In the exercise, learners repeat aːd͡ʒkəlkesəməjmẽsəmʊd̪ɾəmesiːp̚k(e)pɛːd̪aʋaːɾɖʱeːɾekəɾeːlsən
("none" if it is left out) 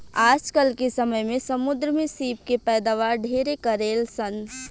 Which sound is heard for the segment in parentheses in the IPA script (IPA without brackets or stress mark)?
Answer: e